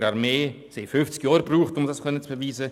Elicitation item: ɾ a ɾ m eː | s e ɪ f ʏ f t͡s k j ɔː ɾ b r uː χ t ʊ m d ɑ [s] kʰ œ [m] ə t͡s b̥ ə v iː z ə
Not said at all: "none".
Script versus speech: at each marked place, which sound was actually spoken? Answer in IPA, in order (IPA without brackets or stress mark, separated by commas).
s, n